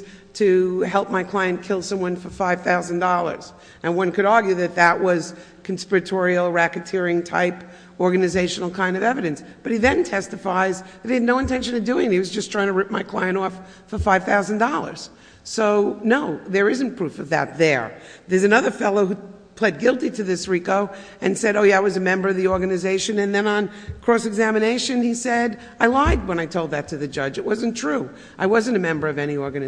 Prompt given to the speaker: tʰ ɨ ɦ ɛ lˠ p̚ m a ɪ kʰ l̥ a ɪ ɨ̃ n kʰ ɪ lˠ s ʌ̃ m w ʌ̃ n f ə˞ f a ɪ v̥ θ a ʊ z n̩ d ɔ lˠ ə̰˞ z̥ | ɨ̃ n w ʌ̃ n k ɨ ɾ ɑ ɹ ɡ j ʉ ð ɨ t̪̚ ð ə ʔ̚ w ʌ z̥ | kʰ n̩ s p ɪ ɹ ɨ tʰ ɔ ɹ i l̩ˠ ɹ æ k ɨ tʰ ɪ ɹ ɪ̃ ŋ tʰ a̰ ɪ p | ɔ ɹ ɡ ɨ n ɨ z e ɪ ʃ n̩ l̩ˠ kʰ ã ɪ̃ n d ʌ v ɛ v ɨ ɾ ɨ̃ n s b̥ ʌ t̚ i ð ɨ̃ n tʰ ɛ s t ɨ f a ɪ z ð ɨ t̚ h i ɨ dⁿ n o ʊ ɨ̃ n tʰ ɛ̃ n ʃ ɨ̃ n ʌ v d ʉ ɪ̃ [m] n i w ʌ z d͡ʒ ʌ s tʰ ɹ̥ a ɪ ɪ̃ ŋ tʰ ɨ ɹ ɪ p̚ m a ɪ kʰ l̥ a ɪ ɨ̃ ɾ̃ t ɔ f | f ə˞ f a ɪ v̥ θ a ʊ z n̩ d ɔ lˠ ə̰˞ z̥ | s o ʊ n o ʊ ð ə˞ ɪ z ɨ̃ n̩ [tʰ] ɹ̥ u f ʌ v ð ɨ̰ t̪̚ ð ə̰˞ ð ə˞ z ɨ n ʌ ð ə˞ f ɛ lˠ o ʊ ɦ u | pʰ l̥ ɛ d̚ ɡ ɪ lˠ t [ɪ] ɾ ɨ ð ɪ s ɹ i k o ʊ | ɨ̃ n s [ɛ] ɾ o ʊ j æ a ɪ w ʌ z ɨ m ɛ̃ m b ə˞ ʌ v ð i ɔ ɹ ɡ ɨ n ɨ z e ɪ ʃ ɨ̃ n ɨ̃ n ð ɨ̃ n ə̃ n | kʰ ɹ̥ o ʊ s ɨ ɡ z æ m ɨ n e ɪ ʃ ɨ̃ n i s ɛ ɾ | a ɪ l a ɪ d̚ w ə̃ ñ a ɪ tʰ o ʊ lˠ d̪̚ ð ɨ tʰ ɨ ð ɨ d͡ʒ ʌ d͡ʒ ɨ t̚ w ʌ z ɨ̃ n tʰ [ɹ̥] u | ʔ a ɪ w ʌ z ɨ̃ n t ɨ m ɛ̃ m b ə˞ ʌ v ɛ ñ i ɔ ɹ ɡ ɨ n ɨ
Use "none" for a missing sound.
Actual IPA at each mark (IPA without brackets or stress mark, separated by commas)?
ŋ, pʰ, i, ɛ, ɹ̥